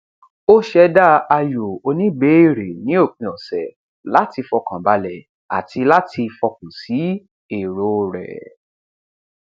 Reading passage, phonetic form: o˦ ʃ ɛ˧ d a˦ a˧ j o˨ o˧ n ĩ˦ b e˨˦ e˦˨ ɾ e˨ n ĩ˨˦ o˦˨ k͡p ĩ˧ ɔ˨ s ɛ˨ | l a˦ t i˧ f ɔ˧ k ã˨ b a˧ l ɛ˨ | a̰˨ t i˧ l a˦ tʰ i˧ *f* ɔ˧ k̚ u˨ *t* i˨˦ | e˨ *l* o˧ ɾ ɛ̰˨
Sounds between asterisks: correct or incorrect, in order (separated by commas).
correct, incorrect, incorrect